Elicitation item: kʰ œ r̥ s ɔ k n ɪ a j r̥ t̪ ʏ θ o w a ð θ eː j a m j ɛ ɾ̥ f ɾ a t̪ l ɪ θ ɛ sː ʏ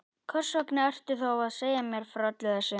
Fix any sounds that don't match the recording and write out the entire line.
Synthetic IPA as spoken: kʰ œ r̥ s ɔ k n ɪ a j r̥ t̪ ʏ θ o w a ð s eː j a m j ɛ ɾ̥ f ɾ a t̪ l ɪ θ ɛ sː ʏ